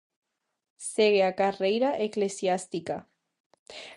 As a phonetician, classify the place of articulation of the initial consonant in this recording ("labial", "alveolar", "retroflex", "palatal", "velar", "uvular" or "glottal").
alveolar